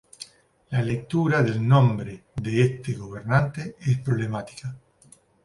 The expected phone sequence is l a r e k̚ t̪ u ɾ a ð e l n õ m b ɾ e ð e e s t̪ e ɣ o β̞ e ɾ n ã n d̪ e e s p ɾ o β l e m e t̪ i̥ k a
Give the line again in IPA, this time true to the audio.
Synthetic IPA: l a l e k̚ t̪ u ɾ a ð e l n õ m b ɾ e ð e e s t̪ e ɣ o β̞ e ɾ n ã n t̪ e e s p ɾ o β l e m a t̪ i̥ k a